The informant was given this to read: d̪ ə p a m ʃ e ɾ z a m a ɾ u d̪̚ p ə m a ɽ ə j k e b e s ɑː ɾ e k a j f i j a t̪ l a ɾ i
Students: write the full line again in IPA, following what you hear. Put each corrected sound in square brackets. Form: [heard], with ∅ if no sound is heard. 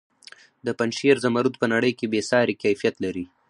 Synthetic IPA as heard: d̪ ə p a [n] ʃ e ɾ z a m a ɾ u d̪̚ p ə [n] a ɽ ə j k e b e s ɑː ɾ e k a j f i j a t̪ l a ɾ i